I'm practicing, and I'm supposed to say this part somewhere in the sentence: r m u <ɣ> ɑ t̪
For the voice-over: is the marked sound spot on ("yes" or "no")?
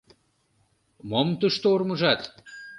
no